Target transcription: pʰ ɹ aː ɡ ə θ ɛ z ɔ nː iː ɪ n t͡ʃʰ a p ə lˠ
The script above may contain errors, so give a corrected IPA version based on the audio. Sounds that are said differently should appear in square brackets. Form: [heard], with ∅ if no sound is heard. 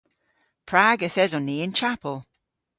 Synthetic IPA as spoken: pʰ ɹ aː ɡ ə θ ɛ z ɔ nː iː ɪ n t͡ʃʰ a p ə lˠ